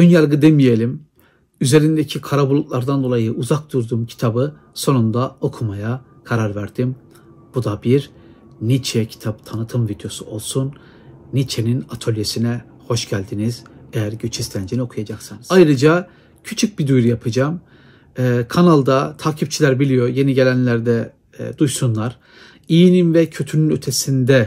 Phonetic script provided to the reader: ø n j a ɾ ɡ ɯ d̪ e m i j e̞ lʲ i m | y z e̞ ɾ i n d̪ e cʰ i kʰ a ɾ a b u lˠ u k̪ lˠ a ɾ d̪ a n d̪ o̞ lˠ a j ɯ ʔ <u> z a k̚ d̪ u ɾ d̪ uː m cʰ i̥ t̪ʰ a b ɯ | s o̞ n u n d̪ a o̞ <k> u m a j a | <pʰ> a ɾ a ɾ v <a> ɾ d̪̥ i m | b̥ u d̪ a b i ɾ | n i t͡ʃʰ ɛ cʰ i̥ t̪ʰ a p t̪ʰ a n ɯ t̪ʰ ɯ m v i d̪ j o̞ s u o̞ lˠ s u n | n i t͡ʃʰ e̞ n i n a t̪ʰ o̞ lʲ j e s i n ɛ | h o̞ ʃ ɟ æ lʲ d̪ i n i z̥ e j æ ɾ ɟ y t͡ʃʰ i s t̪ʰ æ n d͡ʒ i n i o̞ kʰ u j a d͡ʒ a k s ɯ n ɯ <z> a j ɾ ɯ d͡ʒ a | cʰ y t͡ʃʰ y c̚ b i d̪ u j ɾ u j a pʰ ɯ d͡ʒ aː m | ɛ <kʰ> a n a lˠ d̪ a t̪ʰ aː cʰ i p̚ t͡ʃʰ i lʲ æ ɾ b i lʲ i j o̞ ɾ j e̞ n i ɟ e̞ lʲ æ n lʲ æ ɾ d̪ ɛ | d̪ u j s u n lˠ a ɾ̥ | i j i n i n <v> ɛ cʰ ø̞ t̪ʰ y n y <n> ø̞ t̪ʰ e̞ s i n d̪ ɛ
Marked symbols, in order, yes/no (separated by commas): yes, no, no, no, yes, yes, yes, yes